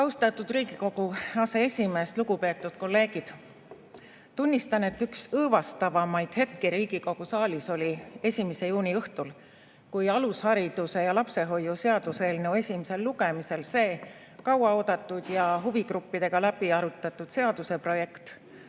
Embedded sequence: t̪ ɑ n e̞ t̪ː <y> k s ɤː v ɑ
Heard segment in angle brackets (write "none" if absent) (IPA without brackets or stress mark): y